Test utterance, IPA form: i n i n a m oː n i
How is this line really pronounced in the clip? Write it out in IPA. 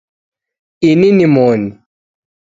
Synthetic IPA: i n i n i m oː n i

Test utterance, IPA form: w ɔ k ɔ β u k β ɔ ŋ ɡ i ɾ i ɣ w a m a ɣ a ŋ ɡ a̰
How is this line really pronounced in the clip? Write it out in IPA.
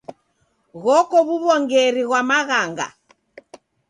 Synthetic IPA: ɣ ɔ k ɔ β u β ɔ ŋ ɡ ɛ ɾ i ɣ w a m a ɣ a ŋ ɡ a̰

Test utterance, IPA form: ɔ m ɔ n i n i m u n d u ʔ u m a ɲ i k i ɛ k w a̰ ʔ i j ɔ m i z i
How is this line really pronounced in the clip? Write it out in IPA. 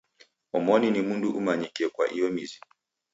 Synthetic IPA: ɔ m ɔ n i n i m u n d u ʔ u m a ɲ i k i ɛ k w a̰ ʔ i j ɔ m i z i

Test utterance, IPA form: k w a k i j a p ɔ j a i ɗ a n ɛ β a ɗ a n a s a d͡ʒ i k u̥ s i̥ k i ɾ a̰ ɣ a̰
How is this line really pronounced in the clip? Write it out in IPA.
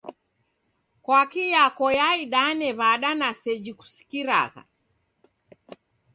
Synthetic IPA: k w a k i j a k ɔ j a i ɗ a n ɛ β a ɗ a n a s ɛ d͡ʒ i k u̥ s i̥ k i ɾ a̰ ɣ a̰

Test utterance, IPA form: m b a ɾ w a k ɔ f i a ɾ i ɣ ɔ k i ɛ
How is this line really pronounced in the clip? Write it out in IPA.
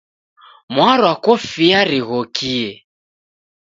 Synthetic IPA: m w a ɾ w a k ɔ f i a ɾ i ɣ ɔ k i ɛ

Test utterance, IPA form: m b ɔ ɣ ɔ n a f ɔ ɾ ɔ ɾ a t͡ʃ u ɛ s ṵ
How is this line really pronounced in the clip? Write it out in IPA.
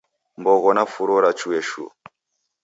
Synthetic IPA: m b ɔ ɣ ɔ n a f u ɾ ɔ ɾ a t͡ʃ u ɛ ʃ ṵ

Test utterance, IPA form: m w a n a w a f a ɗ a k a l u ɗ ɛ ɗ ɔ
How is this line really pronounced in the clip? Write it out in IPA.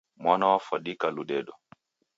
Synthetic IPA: m w a n a w a f a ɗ i k a l u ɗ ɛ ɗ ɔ

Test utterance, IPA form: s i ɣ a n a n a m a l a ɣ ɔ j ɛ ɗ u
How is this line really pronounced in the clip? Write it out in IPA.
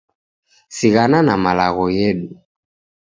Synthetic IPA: s i ɣ a n a n a m a l a ɣ ɔ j ɛ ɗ u

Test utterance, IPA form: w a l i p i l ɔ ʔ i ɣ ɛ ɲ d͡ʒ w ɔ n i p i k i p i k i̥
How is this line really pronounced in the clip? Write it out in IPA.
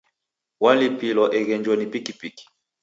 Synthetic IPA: w a l i p i l ɔ ʔ ɛ ɣ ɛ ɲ d͡ʒ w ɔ n i p i k i p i k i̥

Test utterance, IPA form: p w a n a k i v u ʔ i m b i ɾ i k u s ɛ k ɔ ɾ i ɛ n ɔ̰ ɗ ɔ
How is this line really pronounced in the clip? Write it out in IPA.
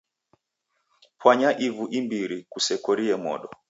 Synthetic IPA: p w a ɲ a ʔ i v u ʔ i m b i ɾ i k u s ɛ k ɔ ɾ i ɛ m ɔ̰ ɗ ɔ

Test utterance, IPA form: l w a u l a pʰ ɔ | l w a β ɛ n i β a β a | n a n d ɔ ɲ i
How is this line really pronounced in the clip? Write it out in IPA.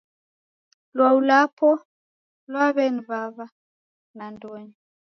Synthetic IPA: l w a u l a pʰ ɔ | l w a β ɛ n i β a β a | n a n d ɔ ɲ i

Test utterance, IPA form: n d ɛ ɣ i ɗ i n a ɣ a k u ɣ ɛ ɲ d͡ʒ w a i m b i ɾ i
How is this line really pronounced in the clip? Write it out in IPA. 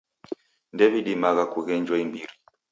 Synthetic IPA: n d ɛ v i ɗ i m a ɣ a k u ɣ ɛ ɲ d͡ʒ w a i m b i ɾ i

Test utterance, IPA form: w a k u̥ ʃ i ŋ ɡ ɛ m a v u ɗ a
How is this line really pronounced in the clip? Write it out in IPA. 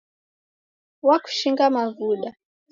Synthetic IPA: w a k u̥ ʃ i ŋ ɡ a m a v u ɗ a

